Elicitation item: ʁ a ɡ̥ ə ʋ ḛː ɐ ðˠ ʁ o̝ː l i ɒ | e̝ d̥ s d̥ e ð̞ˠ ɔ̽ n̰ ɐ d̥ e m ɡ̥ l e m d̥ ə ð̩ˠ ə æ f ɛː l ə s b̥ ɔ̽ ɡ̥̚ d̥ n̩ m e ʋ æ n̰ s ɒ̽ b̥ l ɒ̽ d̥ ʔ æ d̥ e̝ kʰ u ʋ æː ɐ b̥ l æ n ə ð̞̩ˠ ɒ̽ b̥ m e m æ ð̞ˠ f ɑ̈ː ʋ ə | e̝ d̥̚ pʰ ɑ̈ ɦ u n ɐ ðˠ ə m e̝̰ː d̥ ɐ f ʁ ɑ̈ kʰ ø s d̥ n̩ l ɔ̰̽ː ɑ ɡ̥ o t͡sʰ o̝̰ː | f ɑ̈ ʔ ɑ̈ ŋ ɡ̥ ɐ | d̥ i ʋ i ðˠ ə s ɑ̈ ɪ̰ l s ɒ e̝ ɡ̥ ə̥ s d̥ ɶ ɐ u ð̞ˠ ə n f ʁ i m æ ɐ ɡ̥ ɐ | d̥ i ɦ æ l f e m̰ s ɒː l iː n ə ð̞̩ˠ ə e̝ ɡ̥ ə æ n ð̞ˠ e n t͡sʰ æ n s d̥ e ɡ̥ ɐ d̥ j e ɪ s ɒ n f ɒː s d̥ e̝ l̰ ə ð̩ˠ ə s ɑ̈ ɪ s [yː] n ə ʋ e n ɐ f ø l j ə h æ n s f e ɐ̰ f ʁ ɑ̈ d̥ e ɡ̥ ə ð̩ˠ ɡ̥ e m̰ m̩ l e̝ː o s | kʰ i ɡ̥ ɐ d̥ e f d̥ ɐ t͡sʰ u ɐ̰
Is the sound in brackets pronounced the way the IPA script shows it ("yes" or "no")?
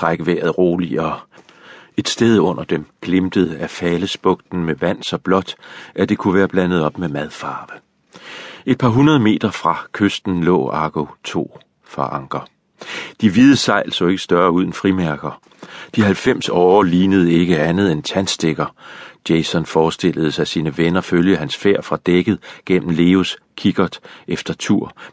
no